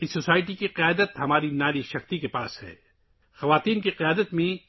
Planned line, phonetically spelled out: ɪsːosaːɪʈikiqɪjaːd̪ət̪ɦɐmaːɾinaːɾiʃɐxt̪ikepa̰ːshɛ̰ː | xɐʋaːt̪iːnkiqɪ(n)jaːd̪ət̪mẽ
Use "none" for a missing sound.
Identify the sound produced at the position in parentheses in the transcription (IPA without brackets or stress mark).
none